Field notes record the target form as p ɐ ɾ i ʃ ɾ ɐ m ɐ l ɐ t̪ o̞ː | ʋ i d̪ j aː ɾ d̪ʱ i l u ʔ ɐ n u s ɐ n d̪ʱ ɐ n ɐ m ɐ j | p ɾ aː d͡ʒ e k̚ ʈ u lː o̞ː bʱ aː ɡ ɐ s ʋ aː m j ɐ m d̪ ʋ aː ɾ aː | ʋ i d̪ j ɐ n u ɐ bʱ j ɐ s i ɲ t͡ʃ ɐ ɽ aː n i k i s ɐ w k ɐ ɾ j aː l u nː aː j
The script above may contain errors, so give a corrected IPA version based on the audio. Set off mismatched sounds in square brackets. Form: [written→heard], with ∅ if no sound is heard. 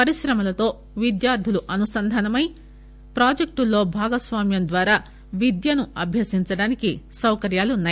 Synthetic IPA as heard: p ɐ ɾ i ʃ ɾ ɐ m ɐ l ɐ t̪ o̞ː | ʋ i d̪ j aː ɾ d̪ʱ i l u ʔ ɐ n u s ɐ n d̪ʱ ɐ n ɐ m ɐ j | p ɾ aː d͡ʒ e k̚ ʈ u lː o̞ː bʱ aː ɡ ɐ s ʋ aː m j ɐ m d̪ ʋ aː ɾ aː | ʋ i d̪ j ɐ n u ɐ bʱ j ɐ s i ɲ t͡ʃ ɐ ɽ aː n i k i s ɐ w k ɐ ɾ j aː l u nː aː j